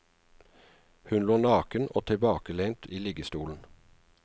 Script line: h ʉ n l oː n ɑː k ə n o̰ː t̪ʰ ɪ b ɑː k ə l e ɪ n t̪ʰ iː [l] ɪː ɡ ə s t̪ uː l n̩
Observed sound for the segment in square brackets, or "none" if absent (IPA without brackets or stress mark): l